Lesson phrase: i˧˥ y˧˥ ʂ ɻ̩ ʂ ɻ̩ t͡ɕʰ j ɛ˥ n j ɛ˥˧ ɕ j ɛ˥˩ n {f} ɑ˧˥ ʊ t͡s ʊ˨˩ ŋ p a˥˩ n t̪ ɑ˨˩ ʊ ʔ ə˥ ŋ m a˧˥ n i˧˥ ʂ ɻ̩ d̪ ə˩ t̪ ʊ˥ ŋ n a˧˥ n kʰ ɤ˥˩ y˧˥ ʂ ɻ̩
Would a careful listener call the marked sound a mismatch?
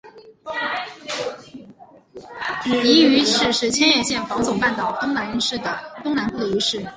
no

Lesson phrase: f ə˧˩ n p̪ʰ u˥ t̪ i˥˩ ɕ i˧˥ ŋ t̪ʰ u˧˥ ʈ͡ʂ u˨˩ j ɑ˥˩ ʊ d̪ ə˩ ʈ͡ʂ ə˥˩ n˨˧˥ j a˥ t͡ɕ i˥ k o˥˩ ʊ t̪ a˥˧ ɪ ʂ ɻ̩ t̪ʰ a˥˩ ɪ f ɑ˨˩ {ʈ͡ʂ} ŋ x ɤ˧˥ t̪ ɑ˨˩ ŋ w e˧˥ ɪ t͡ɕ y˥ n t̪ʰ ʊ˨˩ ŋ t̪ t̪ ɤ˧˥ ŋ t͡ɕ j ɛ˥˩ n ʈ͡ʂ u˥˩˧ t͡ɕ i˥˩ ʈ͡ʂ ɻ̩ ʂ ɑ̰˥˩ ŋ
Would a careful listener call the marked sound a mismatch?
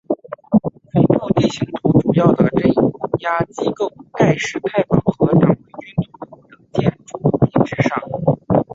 yes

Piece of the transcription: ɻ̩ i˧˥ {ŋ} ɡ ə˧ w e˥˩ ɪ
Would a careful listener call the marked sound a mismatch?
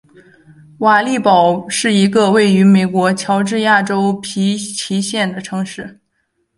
yes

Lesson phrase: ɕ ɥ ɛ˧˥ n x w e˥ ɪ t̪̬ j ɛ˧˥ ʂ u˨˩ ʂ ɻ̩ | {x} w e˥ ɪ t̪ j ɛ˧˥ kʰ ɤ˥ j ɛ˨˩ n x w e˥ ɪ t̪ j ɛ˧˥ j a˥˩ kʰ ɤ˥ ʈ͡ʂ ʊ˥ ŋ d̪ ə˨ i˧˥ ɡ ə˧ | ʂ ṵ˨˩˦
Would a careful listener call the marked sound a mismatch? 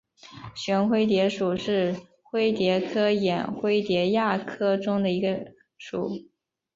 no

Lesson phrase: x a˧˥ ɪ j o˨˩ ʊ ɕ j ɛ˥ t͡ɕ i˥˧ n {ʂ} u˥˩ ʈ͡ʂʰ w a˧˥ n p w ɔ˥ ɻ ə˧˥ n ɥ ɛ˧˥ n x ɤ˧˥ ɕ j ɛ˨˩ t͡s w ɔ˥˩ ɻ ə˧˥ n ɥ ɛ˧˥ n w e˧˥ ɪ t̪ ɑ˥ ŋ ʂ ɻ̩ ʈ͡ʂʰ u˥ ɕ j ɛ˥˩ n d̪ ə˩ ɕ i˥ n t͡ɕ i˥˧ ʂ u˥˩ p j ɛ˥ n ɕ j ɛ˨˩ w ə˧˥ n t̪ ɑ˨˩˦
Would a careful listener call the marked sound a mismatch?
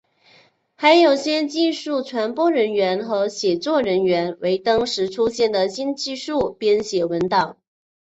no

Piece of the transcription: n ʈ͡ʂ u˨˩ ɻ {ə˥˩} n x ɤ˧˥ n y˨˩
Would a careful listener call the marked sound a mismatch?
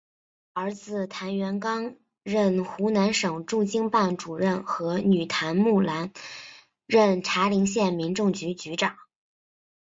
no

